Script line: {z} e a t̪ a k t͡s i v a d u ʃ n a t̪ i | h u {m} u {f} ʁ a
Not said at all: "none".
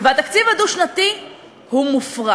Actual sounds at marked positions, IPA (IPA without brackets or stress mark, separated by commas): v, m, f